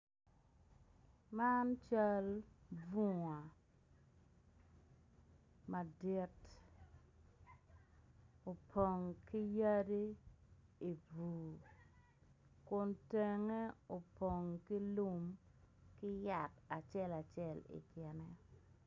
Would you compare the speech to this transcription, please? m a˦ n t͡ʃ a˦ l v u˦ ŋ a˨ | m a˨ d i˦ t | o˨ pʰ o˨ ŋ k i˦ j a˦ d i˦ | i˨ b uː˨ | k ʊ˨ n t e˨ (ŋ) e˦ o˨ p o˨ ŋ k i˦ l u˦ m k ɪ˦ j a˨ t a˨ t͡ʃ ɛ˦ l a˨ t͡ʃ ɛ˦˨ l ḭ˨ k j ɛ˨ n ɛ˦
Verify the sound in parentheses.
correct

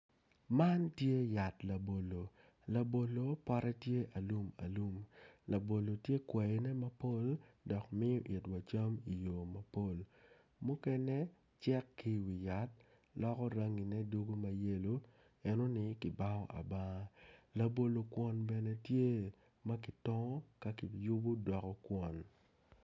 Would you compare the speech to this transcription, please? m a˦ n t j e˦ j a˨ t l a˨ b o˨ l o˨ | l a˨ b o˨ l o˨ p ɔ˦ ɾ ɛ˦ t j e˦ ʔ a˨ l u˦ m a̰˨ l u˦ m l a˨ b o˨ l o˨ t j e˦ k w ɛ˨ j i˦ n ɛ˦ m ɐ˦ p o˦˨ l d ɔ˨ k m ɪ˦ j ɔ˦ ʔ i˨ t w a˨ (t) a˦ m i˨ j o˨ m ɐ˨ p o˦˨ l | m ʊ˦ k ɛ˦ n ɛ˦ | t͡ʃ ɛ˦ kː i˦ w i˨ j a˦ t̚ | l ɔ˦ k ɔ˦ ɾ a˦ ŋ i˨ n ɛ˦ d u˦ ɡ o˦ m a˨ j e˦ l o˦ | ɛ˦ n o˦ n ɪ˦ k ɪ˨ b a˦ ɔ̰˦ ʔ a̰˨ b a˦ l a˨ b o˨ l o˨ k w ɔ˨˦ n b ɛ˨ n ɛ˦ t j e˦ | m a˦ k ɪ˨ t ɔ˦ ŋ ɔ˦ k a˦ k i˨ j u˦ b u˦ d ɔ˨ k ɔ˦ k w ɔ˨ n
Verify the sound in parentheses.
incorrect: t͡ʃ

